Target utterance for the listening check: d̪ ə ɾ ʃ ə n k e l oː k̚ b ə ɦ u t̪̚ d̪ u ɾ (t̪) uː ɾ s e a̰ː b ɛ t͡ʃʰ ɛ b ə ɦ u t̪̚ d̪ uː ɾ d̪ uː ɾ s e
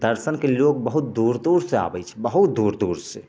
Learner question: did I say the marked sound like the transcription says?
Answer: no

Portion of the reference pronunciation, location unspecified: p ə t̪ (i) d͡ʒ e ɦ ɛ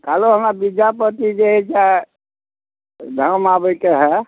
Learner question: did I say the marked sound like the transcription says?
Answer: yes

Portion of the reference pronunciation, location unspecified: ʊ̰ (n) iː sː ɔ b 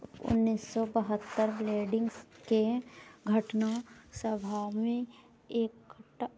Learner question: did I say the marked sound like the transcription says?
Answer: no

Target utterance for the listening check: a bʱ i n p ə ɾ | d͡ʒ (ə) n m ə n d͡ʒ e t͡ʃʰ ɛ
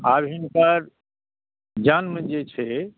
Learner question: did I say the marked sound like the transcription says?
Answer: no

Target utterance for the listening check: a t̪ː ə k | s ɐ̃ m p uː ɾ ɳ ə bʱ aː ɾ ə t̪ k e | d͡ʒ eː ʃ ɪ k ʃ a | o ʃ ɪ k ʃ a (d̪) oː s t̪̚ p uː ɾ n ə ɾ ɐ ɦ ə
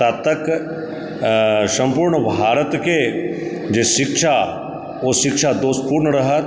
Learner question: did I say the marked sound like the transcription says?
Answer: yes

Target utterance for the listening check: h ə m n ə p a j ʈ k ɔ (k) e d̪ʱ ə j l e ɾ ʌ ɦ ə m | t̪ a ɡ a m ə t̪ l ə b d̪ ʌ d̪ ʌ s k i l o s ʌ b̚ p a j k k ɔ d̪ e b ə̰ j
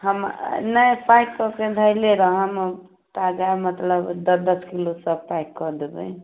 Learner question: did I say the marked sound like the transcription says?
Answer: yes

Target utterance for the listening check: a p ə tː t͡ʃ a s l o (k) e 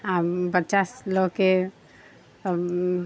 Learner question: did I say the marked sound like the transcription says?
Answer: yes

